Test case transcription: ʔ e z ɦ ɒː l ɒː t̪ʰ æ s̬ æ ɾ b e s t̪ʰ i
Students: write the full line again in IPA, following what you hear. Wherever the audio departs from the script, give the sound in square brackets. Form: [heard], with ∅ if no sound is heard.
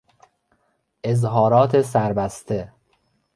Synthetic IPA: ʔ e z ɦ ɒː [ɾ] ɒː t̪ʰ [e] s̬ æ ɾ b [æ] s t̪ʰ [e]